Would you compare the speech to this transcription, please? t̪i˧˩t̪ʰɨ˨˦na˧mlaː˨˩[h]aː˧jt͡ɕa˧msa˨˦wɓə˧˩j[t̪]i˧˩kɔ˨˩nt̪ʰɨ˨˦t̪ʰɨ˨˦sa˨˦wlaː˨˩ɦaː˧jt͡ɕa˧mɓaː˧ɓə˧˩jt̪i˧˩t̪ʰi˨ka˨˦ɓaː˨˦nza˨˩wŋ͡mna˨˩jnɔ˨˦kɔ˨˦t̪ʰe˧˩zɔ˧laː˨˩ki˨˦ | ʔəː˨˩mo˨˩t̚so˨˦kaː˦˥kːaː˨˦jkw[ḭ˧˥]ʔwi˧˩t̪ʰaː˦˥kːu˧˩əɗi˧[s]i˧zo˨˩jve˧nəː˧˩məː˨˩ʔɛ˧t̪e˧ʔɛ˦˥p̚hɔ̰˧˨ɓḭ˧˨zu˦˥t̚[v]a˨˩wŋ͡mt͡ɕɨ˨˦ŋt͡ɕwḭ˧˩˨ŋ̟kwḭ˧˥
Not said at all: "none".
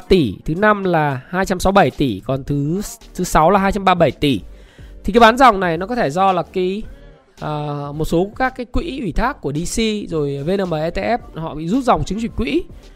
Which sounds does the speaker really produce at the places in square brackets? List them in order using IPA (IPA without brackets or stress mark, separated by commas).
h, t̪, ḭ˧˥, s, z